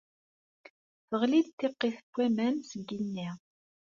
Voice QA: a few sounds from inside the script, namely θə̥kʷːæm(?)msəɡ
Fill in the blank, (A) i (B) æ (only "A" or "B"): B